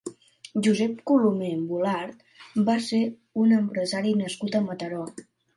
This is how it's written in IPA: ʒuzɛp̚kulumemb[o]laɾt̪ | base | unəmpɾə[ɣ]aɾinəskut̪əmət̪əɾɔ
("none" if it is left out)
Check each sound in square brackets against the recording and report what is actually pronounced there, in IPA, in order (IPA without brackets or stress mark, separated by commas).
u, z